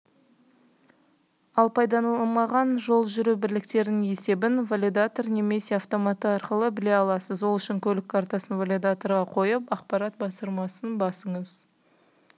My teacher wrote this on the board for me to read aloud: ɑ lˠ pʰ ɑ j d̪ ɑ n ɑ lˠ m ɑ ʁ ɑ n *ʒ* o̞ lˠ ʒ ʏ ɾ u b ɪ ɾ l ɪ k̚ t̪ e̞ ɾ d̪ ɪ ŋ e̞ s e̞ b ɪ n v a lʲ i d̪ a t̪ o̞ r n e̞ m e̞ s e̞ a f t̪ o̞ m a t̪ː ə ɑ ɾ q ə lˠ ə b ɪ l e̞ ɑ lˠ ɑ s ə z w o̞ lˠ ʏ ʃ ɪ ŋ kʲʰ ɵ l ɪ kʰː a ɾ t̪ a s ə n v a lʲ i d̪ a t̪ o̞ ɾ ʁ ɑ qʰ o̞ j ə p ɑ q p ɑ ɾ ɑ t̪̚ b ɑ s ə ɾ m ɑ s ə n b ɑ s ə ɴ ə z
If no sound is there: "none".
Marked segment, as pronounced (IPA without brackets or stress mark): ʒ